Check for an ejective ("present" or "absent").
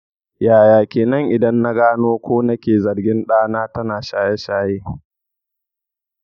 absent